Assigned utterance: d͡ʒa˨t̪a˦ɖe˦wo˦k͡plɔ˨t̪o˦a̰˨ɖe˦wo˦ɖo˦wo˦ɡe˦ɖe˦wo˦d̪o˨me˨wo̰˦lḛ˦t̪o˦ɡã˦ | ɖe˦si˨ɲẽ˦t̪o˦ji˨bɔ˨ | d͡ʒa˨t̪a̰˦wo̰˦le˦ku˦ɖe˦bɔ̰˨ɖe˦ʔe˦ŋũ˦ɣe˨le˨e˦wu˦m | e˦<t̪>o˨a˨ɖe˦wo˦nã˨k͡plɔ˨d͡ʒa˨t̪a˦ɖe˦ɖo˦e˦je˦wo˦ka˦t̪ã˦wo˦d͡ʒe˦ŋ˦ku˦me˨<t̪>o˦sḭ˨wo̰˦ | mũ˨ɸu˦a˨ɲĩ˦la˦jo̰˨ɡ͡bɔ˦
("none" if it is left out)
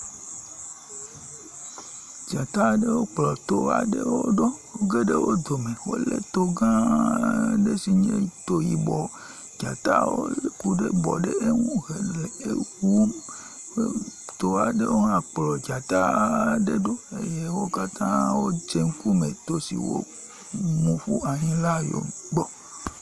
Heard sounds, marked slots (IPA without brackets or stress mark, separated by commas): t̪, t̪